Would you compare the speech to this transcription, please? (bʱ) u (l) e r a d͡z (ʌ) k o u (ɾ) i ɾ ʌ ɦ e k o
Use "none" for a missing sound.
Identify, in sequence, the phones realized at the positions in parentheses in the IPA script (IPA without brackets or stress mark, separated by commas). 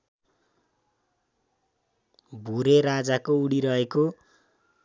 bʱ, ɾ, a, ɽ